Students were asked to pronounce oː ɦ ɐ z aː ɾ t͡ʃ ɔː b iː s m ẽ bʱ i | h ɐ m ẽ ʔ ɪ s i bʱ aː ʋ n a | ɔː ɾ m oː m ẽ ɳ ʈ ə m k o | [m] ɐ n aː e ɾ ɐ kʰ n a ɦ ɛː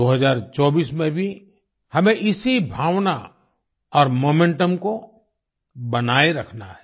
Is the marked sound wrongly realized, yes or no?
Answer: yes